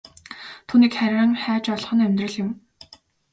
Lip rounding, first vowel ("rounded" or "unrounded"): rounded